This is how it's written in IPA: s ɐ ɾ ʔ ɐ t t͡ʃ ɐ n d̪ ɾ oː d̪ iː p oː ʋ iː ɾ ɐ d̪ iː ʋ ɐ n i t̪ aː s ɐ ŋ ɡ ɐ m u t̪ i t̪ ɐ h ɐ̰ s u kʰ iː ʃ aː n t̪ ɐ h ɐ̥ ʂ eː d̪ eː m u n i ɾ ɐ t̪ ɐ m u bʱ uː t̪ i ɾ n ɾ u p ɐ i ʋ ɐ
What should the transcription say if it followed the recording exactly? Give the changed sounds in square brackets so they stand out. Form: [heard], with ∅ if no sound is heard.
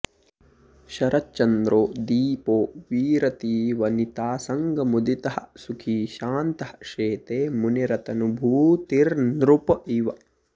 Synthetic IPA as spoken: [ʃ] ɐ ɾ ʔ ɐ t t͡ʃ ɐ n d̪ ɾ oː d̪ iː p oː ʋ iː ɾ ɐ [t̪] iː ʋ ɐ n i t̪ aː s ɐ ŋ ɡ ɐ m u [d̪] i t̪ ɐ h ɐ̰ s u kʰ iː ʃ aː n t̪ ɐ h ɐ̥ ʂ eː [t̪] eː m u n i ɾ ɐ t̪ ɐ [n] u bʱ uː t̪ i ɾ n ɾ u p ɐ i ʋ ɐ